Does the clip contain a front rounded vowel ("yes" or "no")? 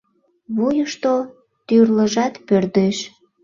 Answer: yes